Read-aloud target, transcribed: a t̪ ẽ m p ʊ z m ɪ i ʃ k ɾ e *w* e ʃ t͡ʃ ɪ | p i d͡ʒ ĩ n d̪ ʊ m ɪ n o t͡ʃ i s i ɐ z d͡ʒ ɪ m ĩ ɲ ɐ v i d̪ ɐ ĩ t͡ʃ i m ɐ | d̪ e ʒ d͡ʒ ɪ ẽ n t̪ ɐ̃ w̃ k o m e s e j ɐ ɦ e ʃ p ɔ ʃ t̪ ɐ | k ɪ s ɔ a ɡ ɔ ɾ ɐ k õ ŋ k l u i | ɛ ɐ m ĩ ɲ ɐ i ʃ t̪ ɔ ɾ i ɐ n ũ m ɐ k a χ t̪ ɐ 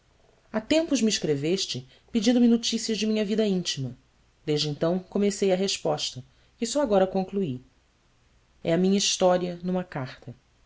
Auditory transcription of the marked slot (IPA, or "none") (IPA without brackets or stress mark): v